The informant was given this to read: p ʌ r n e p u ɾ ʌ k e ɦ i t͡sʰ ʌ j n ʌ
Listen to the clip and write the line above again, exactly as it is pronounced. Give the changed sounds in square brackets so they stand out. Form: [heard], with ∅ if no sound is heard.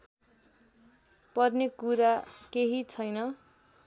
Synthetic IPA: p ʌ r n e [k] u ɾ [a] k e ɦ i t͡sʰ ʌ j n ʌ